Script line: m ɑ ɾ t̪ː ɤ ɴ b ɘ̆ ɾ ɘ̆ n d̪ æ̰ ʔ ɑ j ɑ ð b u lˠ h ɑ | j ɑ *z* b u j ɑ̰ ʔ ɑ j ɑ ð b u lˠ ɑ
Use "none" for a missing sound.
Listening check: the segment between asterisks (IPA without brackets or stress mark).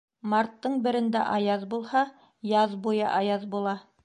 ð